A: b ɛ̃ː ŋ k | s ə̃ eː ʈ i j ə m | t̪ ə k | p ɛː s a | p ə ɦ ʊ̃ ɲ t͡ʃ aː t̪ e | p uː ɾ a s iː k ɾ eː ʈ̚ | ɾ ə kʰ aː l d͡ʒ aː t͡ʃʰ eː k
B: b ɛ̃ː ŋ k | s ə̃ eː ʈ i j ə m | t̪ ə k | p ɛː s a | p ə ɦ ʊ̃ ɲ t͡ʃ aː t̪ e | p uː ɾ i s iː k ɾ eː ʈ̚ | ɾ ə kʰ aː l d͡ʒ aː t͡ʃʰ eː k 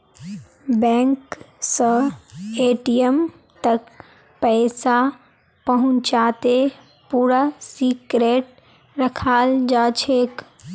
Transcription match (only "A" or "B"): A